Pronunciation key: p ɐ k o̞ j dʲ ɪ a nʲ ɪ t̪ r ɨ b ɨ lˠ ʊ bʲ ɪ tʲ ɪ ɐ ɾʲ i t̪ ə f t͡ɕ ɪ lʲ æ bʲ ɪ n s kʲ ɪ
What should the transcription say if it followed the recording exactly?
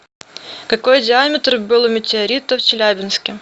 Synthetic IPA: k ɐ k o̞ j dʲ ɪ a mʲ ɪ t̪ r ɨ b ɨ lˠ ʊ mʲ ɪ tʲ ɪ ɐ ɾʲ i t̪ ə f t͡ɕ ɪ lʲ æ bʲ ɪ n s kʲ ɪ

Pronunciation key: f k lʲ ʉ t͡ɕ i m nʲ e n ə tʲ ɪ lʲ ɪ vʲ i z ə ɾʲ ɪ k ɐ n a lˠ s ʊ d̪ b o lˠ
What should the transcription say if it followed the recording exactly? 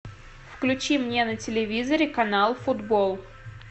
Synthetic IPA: f k lʲ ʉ t͡ɕ i m nʲ e n ə tʲ ɪ lʲ ɪ vʲ i z ə ɾʲ ɪ k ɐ n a lˠ f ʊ d̪ b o lˠ

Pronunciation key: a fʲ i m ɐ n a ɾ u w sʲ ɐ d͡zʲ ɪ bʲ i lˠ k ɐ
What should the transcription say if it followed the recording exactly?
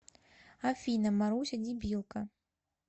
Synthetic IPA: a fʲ i n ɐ m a ɾ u w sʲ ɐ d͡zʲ i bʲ i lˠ k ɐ

